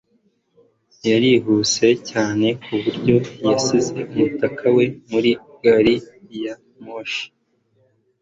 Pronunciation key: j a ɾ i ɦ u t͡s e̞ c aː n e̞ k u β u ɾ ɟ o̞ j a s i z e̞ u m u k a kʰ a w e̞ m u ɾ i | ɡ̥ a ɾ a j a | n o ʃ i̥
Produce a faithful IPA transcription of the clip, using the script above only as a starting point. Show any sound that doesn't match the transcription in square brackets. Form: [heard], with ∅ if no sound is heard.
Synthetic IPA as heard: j a ɾ i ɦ u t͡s e̞ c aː n e̞ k u β u ɾ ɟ o̞ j a s i z e̞ u m u [t] a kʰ a w e̞ m u ɾ i | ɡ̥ a ɾ [i] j a | [m] o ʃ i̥